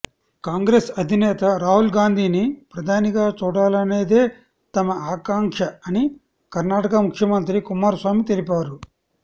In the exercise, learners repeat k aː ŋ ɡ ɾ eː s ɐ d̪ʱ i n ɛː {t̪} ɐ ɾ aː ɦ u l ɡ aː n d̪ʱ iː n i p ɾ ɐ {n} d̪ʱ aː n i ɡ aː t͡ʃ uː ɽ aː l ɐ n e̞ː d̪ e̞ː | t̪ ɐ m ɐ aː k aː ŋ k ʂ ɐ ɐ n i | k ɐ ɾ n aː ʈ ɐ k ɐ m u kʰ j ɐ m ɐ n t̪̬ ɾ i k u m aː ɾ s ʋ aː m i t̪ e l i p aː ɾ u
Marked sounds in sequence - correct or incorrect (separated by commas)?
correct, incorrect